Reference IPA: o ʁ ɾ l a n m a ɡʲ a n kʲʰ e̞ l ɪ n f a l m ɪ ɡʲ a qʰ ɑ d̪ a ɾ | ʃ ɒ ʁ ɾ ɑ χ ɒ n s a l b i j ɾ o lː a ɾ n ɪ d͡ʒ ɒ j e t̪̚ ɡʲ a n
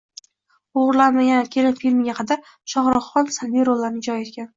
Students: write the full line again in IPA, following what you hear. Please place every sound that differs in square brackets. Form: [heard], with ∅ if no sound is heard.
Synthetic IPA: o ʁ ɾ l a n m a ɡʲ a n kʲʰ e̞ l ɪ n f [i] l m ɪ ɡʲ a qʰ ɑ d̪ a ɾ | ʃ ɒ ʁ ɾ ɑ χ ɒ n s a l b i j ɾ o lː a ɾ n ɪ d͡ʒ ɒ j e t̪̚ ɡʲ a n